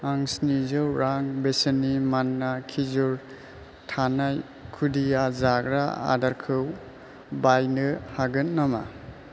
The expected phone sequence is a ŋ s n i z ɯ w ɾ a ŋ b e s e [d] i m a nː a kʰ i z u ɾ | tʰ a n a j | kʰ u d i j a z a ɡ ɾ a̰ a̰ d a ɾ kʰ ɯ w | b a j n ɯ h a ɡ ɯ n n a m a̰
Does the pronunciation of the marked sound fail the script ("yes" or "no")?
yes